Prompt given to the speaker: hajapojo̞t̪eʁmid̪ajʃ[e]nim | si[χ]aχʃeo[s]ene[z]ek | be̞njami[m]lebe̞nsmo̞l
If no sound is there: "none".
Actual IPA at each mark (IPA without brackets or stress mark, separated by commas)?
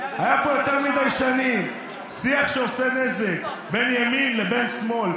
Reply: a, none, s, z, n